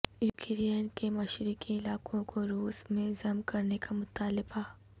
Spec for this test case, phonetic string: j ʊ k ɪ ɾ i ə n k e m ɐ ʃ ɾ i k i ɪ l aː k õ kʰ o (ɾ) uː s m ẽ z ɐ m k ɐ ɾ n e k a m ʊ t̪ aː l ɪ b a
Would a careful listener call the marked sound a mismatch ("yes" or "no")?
no